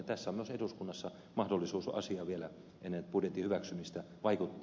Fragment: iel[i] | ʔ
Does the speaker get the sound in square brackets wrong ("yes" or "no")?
yes